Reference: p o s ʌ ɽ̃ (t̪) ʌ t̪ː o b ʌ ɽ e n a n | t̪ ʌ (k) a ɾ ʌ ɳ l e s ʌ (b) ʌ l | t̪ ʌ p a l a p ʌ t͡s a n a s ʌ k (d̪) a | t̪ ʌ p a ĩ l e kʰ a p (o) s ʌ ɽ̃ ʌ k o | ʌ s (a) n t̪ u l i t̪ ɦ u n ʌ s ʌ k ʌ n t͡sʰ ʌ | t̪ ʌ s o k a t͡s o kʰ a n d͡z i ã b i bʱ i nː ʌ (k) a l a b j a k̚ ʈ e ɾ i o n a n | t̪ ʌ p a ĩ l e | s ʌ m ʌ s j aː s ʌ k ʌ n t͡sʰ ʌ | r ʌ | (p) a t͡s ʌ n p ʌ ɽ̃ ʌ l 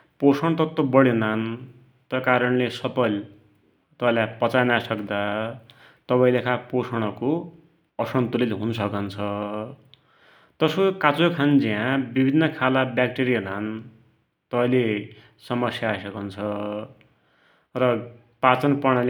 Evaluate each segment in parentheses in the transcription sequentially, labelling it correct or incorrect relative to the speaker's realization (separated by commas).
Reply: correct, correct, incorrect, correct, correct, incorrect, incorrect, correct